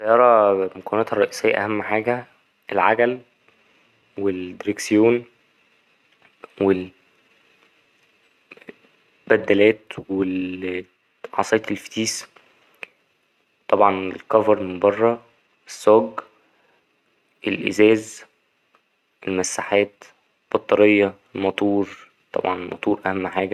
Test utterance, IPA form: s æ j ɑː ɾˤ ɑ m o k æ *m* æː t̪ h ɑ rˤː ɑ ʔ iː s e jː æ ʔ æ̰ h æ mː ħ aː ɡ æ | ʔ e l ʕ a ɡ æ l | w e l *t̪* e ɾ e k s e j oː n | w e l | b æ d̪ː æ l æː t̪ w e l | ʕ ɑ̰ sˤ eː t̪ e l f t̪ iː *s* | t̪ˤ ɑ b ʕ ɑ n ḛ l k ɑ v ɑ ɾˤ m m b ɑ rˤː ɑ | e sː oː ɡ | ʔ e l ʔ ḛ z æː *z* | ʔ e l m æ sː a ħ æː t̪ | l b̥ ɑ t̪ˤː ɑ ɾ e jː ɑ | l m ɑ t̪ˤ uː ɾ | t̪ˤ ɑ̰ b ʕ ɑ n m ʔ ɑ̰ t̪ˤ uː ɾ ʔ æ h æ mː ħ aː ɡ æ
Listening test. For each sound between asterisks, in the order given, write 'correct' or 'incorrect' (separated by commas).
incorrect, incorrect, correct, correct